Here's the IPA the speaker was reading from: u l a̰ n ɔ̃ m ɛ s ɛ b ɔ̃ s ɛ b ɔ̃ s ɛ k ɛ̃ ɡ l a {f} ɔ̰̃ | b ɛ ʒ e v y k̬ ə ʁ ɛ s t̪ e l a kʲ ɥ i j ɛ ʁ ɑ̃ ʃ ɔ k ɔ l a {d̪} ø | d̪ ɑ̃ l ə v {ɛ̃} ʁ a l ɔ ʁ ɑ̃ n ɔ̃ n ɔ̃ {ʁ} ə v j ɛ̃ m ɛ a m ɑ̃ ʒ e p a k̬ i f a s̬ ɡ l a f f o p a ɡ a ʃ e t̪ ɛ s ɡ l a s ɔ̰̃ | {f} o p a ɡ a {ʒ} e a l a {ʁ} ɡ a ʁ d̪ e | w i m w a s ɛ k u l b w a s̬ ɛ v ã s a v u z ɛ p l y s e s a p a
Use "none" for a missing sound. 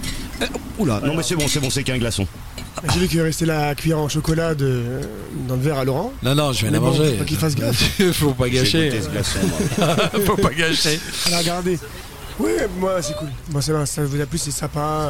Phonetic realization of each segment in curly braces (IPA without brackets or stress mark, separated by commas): s, d̪, ɛ, ʒ, f, ʃ, ʁ